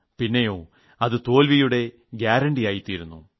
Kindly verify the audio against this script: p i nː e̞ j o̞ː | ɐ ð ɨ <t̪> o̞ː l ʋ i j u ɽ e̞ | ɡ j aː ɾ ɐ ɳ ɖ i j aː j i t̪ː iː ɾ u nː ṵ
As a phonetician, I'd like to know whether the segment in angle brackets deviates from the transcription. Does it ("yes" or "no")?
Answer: no